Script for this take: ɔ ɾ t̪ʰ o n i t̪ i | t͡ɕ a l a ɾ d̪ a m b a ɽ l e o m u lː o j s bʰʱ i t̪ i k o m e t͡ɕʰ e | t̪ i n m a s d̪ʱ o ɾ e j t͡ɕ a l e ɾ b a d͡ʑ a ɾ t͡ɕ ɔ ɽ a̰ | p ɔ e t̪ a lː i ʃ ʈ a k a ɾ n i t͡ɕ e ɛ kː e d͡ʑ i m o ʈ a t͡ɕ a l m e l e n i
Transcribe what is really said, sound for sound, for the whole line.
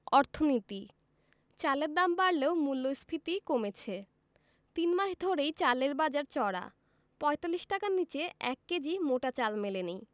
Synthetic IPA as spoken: ɔ ɾ t̪ʰ o n i t̪ i | t͡ɕ a l e ɾ d̪ a m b a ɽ l e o m u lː o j s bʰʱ i t̪ i k o m e t͡ɕʰ e | t̪ i n m a ʃ d̪ʱ o ɾ e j t͡ɕ a l e ɾ b a d͡ʑ a ɾ t͡ɕ ɔ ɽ a̰ | p ɔ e t̪ a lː i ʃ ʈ a k a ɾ n i t͡ɕ e ɛ kː e d͡ʑ i m o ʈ a t͡ɕ a l m e l e n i